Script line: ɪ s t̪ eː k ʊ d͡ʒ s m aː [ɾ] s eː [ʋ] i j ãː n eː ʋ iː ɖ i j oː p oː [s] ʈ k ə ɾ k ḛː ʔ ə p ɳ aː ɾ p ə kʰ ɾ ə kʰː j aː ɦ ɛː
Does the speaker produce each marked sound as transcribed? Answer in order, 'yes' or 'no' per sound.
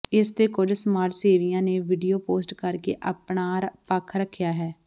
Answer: yes, yes, yes

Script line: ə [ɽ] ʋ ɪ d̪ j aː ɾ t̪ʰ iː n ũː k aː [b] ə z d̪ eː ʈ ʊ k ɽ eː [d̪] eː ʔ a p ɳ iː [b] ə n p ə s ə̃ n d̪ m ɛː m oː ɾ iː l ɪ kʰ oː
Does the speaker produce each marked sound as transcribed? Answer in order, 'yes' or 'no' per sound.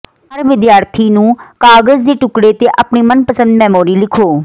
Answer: no, no, no, no

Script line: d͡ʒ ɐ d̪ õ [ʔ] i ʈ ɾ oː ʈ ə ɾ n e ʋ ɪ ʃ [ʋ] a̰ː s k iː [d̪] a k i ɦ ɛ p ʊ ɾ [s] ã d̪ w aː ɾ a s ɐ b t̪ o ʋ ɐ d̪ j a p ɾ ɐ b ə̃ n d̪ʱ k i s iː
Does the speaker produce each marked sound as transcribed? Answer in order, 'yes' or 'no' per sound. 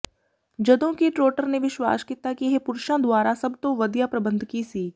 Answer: no, no, no, no

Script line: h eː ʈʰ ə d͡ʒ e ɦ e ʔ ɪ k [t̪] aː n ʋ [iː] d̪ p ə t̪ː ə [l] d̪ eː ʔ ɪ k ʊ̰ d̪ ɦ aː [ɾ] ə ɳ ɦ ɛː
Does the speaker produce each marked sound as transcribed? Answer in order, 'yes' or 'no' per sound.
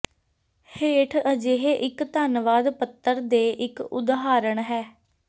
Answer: yes, no, no, yes

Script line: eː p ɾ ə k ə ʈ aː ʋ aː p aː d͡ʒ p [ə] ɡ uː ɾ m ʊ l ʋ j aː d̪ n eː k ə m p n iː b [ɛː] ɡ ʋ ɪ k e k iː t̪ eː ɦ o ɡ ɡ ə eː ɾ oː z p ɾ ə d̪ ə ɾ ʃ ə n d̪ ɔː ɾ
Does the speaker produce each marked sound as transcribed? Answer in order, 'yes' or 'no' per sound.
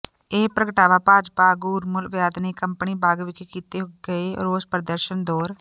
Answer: no, no

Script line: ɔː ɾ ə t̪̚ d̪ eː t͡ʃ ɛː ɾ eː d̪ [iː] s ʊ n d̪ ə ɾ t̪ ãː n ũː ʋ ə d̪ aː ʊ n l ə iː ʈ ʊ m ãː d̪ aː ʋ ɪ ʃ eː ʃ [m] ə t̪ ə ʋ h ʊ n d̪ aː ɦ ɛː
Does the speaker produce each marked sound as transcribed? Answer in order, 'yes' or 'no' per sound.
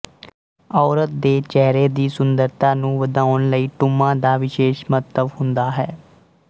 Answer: yes, yes

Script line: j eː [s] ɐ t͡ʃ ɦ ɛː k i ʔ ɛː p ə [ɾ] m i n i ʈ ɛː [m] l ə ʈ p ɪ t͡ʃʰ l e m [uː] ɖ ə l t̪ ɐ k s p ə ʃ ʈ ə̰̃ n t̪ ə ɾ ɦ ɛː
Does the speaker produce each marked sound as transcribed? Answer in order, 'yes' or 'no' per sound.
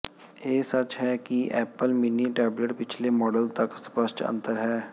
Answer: yes, no, no, no

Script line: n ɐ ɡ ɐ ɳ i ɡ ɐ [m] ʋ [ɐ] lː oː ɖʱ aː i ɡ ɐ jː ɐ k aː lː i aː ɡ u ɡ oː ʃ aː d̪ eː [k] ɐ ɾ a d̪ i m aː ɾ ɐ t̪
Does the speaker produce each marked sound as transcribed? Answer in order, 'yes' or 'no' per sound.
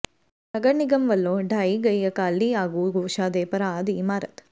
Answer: yes, yes, no

